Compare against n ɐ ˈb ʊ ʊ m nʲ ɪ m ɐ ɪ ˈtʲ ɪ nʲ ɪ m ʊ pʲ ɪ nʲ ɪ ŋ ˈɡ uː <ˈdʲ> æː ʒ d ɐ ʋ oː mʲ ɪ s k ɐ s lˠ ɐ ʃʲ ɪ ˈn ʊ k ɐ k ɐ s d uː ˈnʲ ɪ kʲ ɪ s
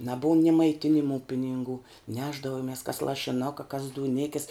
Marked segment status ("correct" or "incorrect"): incorrect